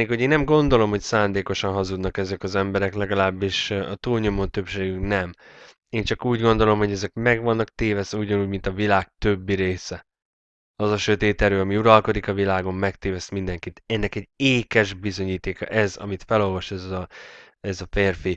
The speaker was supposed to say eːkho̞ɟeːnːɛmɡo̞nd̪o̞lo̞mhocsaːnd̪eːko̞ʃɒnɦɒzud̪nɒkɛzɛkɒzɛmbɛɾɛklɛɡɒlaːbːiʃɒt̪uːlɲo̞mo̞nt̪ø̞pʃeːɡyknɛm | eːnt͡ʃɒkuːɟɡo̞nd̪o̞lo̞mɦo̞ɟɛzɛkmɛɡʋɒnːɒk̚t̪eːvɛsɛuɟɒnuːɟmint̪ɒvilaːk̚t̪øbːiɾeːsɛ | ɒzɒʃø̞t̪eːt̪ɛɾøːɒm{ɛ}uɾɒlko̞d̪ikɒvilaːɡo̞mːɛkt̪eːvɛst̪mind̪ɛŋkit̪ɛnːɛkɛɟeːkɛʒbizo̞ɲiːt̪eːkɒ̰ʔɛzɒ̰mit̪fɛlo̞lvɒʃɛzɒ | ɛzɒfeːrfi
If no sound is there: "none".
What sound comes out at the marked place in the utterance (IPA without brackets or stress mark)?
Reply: i